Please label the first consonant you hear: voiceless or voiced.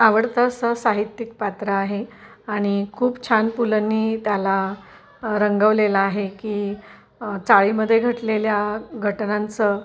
voiced